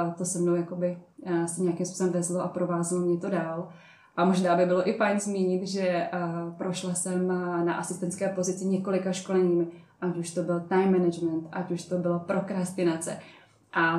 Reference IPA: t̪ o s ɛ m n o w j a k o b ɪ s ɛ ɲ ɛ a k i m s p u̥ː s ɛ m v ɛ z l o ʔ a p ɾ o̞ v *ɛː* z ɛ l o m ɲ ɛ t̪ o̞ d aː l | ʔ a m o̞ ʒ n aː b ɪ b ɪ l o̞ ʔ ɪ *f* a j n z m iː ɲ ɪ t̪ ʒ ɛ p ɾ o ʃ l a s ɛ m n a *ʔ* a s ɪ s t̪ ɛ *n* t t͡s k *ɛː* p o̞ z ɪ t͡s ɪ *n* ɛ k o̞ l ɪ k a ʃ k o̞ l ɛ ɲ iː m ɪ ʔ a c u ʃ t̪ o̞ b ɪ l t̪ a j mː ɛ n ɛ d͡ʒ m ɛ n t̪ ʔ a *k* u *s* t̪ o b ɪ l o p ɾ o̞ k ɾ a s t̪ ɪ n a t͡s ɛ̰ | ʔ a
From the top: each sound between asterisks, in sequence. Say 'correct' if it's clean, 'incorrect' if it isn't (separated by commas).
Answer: incorrect, correct, correct, correct, correct, incorrect, incorrect, incorrect